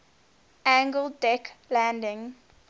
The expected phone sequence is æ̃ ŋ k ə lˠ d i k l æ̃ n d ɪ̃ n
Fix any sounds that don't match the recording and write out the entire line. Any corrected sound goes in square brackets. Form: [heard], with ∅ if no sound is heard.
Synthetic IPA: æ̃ ŋ [ɡ] ə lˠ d [ɛ] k l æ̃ n d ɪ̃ [ŋ]